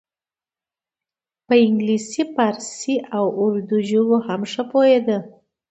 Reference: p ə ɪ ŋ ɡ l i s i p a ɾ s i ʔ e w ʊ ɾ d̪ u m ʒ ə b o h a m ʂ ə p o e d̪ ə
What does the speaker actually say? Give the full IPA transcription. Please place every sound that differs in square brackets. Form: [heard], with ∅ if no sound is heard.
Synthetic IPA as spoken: p ə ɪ ŋ ɡ l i s i p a ɾ s i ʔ [a] w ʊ ɾ d̪ u [∅] ʒ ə [w] o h a m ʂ ə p o e d̪ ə